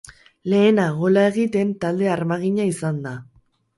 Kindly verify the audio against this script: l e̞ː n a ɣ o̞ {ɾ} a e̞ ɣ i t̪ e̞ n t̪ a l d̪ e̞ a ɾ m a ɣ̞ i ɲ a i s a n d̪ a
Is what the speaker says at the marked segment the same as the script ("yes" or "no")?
no